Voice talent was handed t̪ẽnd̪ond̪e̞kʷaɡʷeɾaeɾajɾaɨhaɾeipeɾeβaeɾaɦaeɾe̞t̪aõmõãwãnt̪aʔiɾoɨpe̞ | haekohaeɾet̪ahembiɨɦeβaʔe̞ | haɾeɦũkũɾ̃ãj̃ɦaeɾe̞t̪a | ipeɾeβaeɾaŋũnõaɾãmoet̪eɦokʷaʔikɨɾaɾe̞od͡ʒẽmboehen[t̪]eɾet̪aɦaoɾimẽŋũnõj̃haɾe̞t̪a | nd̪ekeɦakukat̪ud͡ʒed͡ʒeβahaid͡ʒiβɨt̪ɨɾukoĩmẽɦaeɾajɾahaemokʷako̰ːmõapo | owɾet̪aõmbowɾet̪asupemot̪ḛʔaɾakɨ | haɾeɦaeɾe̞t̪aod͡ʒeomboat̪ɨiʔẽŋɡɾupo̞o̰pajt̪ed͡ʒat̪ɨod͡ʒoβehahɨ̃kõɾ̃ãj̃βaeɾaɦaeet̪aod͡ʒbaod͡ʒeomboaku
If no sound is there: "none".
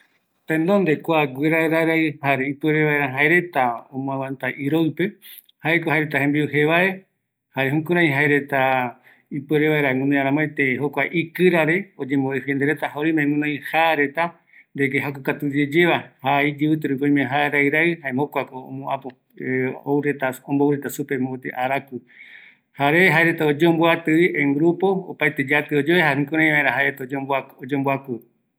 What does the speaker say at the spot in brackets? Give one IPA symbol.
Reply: d̪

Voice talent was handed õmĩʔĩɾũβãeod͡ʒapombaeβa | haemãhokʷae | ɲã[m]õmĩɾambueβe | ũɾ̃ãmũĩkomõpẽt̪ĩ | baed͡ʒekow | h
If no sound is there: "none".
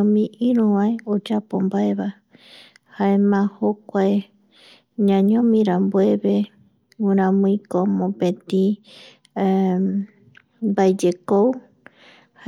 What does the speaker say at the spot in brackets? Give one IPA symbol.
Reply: ɲ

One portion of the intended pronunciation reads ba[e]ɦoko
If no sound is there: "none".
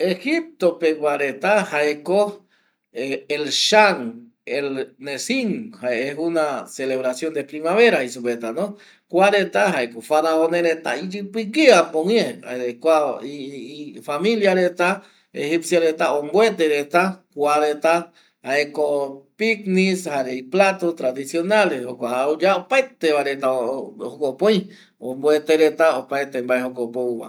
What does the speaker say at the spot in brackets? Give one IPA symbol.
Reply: e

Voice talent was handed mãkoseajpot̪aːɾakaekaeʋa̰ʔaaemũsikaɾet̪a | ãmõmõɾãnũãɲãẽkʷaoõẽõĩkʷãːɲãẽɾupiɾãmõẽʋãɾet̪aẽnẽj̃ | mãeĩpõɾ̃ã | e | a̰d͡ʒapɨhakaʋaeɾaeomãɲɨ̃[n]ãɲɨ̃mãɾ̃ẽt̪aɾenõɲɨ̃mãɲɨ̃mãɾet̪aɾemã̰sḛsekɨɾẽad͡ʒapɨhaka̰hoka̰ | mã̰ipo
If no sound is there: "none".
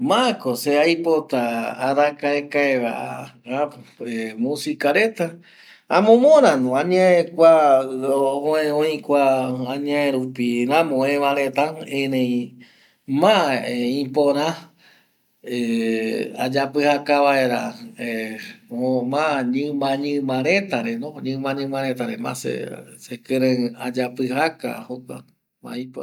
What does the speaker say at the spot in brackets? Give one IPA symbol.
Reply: m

